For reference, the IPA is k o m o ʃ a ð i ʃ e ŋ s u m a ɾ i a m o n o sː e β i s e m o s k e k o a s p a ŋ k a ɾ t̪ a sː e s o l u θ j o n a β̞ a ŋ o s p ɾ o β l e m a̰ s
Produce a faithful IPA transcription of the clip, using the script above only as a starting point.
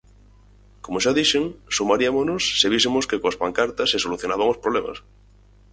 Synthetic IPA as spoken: k o m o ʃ a ð i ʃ e ŋ s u m a ɾ i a m o n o sː e β i s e m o s k e k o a s p a ŋ k a ɾ t̪ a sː e s o l u θ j o n a β̞ a ŋ o s p ɾ o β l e m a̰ s